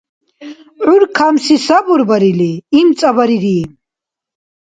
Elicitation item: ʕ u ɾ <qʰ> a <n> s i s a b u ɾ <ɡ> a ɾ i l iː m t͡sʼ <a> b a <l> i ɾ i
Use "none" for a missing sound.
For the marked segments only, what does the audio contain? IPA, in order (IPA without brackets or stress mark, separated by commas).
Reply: kʰ, m, b, a, ɾ